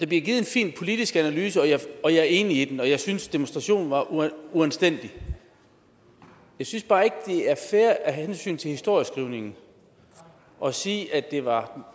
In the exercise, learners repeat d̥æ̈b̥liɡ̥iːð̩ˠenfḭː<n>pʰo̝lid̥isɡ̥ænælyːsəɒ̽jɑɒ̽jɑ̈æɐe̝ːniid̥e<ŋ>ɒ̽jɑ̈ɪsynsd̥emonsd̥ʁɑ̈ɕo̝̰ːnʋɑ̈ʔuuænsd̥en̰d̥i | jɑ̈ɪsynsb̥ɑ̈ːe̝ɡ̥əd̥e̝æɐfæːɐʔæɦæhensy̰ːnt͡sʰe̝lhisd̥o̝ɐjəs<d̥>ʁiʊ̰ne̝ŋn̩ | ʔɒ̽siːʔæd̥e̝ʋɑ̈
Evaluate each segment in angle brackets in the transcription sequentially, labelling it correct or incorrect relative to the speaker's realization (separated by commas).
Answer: correct, incorrect, incorrect